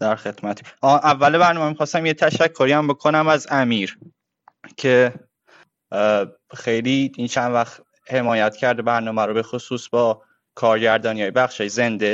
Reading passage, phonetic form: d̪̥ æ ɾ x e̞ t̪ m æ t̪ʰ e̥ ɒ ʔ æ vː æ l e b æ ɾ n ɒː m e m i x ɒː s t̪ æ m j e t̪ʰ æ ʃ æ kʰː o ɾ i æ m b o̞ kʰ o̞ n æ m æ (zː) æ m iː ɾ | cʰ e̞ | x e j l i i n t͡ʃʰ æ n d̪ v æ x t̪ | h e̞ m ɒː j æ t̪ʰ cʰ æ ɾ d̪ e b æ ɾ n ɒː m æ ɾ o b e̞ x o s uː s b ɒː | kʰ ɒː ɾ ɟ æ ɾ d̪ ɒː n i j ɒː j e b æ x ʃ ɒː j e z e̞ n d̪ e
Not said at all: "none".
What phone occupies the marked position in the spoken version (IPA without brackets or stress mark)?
z